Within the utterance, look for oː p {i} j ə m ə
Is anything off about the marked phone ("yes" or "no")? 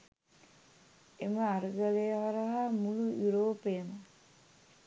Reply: yes